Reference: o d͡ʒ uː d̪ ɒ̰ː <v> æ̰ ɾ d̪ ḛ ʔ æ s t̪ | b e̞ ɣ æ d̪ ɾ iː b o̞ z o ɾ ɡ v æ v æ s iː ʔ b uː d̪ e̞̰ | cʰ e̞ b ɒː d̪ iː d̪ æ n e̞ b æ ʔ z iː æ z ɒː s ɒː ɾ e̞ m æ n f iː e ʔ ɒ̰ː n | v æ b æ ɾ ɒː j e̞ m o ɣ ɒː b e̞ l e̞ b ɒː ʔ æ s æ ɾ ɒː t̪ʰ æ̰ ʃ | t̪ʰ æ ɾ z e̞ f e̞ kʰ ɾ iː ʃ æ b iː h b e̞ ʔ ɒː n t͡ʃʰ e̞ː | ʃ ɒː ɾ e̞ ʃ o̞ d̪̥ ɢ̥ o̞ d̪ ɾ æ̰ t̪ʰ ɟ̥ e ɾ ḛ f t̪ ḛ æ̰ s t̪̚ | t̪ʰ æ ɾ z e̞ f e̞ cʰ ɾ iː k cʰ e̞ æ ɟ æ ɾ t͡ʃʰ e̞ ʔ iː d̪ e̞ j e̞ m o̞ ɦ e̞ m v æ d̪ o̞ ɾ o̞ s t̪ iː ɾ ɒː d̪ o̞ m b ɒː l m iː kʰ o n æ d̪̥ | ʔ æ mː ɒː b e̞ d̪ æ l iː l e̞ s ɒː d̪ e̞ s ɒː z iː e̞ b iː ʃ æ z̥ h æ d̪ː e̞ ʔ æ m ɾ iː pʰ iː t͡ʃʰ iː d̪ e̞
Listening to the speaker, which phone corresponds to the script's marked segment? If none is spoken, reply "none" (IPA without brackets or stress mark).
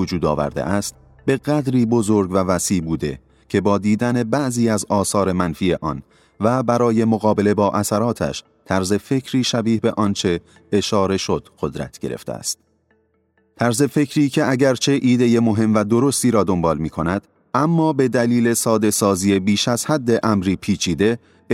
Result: v